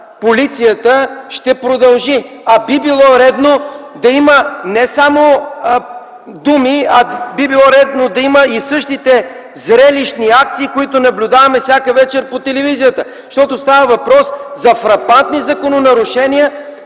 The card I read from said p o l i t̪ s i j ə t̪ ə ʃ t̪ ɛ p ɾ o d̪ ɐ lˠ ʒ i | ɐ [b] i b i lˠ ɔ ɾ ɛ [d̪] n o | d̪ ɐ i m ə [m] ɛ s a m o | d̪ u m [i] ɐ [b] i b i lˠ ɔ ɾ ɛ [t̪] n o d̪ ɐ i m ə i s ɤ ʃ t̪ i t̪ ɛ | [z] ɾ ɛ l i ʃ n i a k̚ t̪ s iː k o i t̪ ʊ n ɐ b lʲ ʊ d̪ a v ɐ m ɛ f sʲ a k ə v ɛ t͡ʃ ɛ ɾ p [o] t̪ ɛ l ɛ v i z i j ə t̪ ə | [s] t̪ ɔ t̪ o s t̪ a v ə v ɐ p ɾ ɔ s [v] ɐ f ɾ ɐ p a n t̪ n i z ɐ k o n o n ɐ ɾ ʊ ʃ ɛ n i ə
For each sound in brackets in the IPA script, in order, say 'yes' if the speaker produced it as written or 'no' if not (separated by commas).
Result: yes, yes, no, yes, yes, no, yes, yes, no, no